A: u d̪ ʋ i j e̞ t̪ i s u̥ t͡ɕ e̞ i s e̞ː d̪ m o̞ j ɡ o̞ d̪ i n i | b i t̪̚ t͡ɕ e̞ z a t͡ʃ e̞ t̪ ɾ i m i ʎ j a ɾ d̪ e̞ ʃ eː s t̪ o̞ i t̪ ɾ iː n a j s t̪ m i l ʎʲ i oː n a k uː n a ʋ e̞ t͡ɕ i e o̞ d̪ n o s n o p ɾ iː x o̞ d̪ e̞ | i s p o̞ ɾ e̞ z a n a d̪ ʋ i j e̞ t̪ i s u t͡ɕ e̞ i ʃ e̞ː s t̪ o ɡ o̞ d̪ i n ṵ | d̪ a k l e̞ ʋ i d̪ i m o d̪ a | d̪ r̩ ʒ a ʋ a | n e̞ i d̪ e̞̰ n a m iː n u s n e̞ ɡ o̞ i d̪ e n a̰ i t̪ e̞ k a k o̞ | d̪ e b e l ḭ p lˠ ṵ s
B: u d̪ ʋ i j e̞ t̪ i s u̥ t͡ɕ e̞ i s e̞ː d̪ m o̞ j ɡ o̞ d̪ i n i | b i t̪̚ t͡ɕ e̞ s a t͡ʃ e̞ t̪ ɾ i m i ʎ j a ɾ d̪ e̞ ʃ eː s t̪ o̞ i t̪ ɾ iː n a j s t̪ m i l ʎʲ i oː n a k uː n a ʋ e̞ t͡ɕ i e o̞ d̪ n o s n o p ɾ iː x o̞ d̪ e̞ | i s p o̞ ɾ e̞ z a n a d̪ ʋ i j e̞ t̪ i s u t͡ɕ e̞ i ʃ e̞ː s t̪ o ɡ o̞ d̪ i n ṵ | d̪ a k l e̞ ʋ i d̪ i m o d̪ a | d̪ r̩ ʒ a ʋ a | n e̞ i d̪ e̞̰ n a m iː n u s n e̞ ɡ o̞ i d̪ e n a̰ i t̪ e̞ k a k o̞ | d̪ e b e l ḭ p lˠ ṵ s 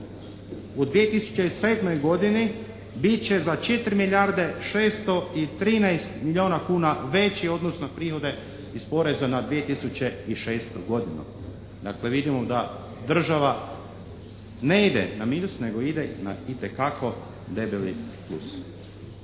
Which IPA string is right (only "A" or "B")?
A